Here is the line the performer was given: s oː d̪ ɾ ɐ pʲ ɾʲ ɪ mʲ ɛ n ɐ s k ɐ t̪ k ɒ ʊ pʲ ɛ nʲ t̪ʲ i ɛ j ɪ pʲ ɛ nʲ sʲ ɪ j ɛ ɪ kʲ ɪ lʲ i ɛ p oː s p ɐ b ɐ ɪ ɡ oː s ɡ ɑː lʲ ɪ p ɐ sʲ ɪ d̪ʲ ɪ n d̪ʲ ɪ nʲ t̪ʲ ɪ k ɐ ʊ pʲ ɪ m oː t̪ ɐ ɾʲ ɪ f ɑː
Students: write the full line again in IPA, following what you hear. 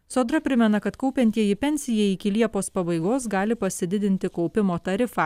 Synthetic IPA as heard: s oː d̪ ɾ ɐ pʲ ɾʲ ɪ mʲ ɛ n ɐ k ɐ t̪ k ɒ ʊ pʲ ɛ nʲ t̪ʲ i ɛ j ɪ pʲ ɛ nʲ sʲ ɪ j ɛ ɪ kʲ ɪ lʲ i ɛ p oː s p ɐ b ɐ ɪ ɡ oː s ɡ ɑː lʲ ɪ p ɐ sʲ ɪ d̪ʲ ɪ d̪ʲ ɪ nʲ t̪ʲ ɪ k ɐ ʊ pʲ ɪ m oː t̪ ɐ ɾʲ ɪ f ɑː

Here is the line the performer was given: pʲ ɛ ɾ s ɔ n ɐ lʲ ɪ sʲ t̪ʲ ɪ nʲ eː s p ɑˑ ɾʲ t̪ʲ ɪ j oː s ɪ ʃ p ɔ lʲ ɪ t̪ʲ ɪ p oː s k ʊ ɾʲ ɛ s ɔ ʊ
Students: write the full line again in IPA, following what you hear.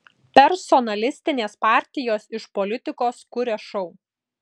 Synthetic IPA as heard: pʲ ɛ ɾ s ɔ n ɐ lʲ ɪ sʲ t̪ʲ ɪ nʲ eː s p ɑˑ ɾʲ t̪ʲ ɪ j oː s ɪ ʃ p ɔ lʲ ɪ t̪ʲ ɪ k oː s k ʊ ɾʲ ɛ ʃ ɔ ʊ

